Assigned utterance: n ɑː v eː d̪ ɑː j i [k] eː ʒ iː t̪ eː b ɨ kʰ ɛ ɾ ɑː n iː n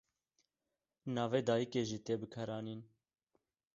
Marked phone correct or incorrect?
correct